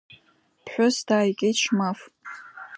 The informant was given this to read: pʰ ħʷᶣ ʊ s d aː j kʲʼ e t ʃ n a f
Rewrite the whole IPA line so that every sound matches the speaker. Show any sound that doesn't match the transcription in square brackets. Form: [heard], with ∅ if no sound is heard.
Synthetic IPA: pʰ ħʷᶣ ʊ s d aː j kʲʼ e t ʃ [m] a f